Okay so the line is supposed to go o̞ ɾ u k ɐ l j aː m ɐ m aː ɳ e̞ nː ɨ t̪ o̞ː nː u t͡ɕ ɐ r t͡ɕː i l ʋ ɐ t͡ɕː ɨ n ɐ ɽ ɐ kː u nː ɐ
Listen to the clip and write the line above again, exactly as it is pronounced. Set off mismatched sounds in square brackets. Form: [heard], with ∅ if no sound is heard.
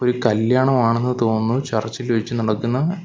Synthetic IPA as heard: o̞ ɾ u k ɐ l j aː [ɳ] ɐ m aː ɳ e̞ nː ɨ t̪ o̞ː nː u t͡ɕ ɐ r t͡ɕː i l ʋ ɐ t͡ɕː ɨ n ɐ ɽ ɐ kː u nː ɐ